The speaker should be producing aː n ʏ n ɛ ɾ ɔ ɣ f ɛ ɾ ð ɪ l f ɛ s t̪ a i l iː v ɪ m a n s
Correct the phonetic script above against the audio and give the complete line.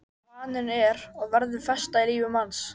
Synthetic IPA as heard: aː n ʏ n ɛ ɾ ɔ ɣ v ɛ ɾ ð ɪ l f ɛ s t̪ a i l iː v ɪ m a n s